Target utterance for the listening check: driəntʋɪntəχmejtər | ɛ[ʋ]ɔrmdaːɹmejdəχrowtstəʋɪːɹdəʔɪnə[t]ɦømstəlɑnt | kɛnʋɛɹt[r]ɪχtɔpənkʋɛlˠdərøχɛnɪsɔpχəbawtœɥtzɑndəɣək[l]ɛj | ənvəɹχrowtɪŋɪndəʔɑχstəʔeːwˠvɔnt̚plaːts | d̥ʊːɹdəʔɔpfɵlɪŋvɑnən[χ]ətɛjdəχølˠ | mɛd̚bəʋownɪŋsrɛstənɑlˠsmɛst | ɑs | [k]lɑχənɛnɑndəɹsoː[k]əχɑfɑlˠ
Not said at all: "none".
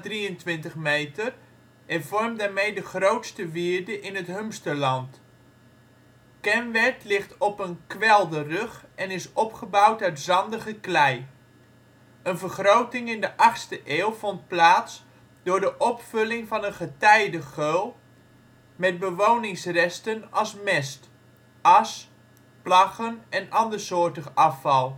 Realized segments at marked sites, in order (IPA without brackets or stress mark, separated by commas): v, t, l, l, χ, p, t